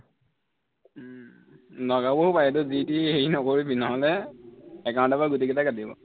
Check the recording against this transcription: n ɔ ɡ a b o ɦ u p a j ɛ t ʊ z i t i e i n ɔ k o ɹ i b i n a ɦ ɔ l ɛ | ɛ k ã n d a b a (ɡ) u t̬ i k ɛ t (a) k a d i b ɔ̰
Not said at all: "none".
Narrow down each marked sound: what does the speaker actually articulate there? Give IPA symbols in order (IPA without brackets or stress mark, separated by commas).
ɡ, a